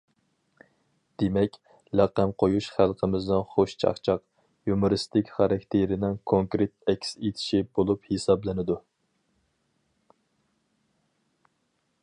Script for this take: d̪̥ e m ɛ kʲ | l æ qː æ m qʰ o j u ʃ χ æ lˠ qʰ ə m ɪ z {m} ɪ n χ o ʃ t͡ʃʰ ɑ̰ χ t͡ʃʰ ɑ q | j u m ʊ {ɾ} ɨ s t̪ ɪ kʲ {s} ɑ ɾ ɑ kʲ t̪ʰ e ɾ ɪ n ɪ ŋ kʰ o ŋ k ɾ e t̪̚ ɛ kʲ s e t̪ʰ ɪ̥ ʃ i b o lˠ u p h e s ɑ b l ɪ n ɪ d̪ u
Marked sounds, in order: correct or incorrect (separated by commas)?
incorrect, correct, incorrect